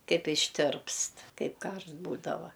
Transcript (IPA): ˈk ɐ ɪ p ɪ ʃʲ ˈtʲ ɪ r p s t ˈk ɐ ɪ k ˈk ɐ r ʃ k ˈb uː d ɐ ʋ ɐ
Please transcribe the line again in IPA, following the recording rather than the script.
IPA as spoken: ˈk ɐ ɪ p ɪ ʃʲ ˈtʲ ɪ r p s t ˈk ɐ ɪ p ˈk ɐ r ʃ t ˈb uː d ɐ ʋ ɐ

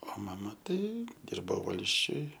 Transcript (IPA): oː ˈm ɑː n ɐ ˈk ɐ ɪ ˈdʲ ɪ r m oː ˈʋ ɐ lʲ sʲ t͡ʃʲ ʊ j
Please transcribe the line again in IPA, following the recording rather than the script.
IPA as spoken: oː ˈm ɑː m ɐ ˈt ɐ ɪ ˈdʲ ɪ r b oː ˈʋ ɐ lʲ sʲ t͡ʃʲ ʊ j

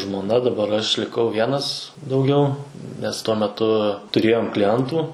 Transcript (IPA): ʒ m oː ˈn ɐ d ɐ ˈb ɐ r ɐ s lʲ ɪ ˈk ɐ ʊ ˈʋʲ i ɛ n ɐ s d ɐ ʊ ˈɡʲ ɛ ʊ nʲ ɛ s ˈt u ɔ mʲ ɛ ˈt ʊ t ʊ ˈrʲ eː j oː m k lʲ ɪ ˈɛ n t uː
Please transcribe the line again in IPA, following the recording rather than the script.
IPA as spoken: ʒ m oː ˈn ɐ d ɐ ˈb ɐ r ɐ ʃ lʲ ɪ ˈk ɐ ʊ ˈʋʲ i ɛ n ɐ s d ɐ ʊ ˈɡʲ ɛ ʊ nʲ ɛ s ˈt u ɔ mʲ ɛ ˈt ʊ t ʊ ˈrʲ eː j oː m k lʲ ɪ ˈɛ n t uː

